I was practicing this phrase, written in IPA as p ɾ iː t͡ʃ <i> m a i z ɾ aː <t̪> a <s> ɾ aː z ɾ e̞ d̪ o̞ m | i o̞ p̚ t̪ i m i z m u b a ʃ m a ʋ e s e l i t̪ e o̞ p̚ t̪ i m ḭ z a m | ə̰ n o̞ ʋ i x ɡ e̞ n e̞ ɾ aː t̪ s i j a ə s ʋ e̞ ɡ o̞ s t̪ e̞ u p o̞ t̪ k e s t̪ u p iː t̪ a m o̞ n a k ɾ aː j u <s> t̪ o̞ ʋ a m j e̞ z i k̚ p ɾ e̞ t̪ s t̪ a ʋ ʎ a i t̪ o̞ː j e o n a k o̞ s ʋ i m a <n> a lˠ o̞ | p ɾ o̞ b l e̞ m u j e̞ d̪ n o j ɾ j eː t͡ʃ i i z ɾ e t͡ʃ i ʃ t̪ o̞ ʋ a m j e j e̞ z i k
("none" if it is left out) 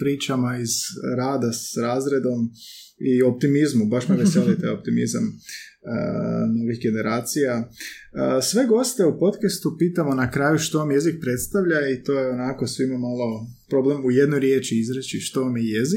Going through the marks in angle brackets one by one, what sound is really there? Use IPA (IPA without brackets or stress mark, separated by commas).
a, d̪, s, ʃ, m